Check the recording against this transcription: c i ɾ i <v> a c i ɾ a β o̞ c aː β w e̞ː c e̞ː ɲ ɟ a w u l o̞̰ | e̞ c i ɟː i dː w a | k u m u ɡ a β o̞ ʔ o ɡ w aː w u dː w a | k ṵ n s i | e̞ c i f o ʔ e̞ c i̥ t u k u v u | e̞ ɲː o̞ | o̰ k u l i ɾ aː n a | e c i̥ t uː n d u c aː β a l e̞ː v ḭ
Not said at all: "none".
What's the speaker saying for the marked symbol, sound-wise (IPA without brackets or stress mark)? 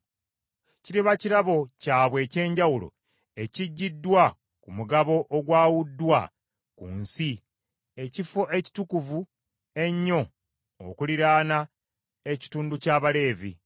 β